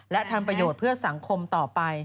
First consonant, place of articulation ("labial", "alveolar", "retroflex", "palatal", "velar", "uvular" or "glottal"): alveolar